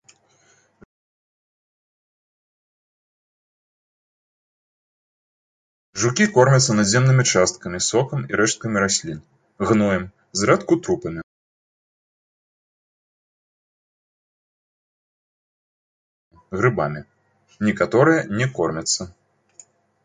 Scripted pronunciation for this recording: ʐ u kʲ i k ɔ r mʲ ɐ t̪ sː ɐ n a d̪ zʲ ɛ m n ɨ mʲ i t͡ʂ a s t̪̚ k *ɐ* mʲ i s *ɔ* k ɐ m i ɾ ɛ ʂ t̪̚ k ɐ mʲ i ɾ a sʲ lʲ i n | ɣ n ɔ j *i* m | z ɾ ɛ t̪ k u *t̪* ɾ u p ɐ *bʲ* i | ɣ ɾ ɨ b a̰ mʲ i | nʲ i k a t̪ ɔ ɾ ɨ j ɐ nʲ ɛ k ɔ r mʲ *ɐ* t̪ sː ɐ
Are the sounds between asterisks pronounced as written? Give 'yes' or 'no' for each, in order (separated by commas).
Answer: yes, yes, no, yes, no, yes